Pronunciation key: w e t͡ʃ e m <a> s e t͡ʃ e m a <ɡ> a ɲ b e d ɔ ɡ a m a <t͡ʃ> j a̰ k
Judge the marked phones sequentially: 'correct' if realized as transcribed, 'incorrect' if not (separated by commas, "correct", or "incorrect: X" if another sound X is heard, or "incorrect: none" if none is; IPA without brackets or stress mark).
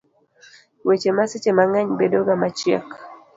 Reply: correct, incorrect: ŋ, correct